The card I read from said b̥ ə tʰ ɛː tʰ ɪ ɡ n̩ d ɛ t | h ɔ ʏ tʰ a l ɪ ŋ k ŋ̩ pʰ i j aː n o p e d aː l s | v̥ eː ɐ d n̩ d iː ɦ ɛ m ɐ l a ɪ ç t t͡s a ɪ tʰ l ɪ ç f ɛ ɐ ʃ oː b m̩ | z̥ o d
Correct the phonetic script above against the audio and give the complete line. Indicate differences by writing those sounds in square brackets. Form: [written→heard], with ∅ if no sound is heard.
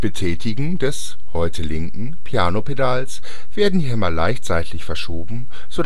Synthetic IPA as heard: b̥ ə tʰ ɛː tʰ ɪ ɡ [n̩→ŋ̩] d ɛ [t→s] | h ɔ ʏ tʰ [a→ə] l ɪ ŋ k ŋ̩ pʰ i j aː n o p e d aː l s | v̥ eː ɐ d n̩ d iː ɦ ɛ m ɐ l a ɪ ç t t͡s a ɪ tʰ l ɪ ç f ɛ ɐ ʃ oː b m̩ | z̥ o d